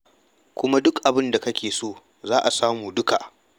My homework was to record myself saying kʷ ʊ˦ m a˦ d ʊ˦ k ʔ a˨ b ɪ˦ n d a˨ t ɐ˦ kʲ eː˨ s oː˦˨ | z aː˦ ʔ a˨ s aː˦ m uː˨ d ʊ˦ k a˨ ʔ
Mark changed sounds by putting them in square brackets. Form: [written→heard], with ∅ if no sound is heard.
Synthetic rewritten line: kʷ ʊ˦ m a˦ d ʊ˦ k ʔ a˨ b ɪ˦ n d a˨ [t→k] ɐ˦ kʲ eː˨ s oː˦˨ | z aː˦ ʔ a˨ s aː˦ m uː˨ d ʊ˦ k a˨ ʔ